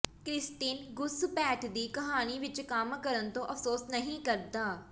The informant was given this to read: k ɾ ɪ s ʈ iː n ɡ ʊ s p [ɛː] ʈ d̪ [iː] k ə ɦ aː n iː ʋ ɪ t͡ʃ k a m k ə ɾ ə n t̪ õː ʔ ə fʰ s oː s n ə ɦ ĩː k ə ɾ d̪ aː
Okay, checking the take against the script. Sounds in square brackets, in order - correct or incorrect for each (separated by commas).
correct, correct